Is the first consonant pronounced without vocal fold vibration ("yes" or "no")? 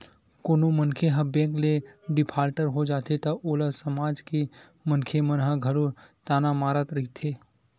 yes